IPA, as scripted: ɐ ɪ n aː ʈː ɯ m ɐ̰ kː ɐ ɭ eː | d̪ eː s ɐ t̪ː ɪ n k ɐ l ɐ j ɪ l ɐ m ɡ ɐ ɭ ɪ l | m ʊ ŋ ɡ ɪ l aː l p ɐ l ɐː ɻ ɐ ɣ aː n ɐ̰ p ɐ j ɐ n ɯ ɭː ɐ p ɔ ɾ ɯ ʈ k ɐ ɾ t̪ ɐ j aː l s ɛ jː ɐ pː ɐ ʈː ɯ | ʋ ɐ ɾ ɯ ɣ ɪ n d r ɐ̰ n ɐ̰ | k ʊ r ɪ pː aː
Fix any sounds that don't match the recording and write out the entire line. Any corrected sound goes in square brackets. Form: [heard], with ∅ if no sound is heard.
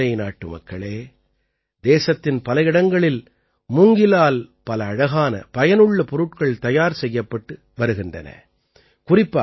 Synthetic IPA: ɐ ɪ n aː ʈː ɯ m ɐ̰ kː ɐ ɭ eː | d̪ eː s ɐ t̪ː ɪ n [p] ɐ l ɐ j ɪ [ɽ] ɐ [ŋ] ɡ ɐ ɭ ɪ l | m ʊ ŋ ɡ ɪ l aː l p ɐ l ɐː ɻ ɐ ɣ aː n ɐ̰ p ɐ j ɐ n ɯ ɭː ɐ p ɔ ɾ ɯ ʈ k ɐ [ɭ] t̪ ɐ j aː [ɾ] s ɛ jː ɐ pː ɐ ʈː ɯ | ʋ ɐ ɾ ɯ ɣ ɪ n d r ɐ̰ n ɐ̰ | k ʊ r ɪ pː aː